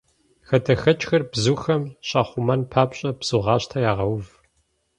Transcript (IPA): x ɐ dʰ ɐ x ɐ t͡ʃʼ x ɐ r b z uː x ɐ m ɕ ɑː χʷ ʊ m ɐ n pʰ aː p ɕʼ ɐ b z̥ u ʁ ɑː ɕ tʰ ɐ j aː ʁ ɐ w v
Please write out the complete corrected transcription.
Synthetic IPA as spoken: x ɐ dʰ ɐ x ɐ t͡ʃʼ x ɐ r b z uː x ɐ m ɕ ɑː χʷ ʊ m ɐ n pʰ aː p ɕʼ ɐ b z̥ u ʁ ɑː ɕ tʰ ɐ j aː ʁ ɐ w v